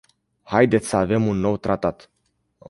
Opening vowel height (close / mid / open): open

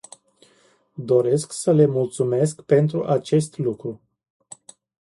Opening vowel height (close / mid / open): mid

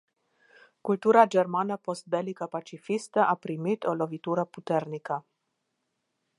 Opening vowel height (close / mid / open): close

